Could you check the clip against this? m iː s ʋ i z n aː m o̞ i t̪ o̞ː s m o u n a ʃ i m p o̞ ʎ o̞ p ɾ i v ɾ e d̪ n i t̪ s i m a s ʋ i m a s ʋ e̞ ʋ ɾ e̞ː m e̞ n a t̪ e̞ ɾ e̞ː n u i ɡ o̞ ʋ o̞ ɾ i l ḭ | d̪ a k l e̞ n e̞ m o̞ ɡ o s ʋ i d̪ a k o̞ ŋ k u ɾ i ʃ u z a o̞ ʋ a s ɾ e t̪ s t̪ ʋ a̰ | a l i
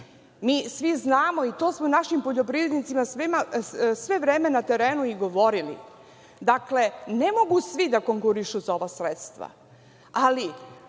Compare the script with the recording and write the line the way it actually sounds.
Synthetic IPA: m iː s ʋ i z n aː m o̞ i t̪ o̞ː s m o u n a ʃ i m p o̞ ʎ o̞ p ɾ i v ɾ e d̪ n i t̪ s i m a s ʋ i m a s ʋ e̞ ʋ ɾ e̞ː m e̞ n a t̪ e̞ ɾ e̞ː n u i ɡ o̞ ʋ o̞ ɾ i l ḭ | d̪ a k l e̞ n e̞ m o̞ ɡ u s ʋ i d̪ a k o̞ ŋ k u ɾ i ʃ u z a o̞ ʋ a s ɾ e t̪ s t̪ ʋ a̰ | a l i